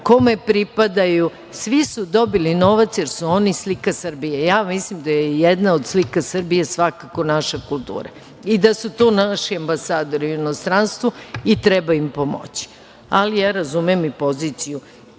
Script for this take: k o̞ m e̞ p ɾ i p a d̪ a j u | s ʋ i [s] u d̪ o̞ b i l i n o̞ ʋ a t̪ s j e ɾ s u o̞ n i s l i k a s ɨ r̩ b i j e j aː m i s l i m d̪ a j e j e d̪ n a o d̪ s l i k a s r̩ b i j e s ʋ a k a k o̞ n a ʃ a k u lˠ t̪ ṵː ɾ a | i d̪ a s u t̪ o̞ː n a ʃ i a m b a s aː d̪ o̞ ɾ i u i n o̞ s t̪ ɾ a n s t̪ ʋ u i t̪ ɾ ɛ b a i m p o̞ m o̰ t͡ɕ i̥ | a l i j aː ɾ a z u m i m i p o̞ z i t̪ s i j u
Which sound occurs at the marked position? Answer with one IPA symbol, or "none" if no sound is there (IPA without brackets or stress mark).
s